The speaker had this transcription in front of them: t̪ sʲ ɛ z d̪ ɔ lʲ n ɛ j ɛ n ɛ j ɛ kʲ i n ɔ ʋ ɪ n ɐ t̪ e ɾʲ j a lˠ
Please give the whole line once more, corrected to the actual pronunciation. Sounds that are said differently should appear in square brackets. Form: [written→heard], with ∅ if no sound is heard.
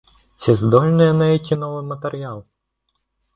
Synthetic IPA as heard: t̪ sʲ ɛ z d̪ ɔ lʲ n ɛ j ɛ n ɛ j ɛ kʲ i n ɔ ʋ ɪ [n→m] ɐ t̪ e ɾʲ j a lˠ